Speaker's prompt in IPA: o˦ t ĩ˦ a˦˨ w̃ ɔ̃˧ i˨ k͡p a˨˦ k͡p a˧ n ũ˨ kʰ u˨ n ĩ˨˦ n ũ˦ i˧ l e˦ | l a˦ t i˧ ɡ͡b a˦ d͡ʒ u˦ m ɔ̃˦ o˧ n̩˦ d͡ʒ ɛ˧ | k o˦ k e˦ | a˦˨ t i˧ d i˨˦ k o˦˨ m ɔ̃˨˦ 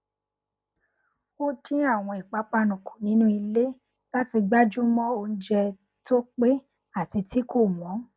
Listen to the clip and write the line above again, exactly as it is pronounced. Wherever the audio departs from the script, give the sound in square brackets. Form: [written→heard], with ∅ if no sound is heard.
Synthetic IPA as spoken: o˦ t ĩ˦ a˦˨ w̃ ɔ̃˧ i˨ k͡p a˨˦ k͡p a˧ n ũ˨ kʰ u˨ n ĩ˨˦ n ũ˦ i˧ l e˦ | l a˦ t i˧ ɡ͡b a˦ d͡ʒ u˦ m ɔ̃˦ o˧ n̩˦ d͡ʒ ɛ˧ | [k→t] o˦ [k→k͡p] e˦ | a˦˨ t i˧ [d→t] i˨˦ k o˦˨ m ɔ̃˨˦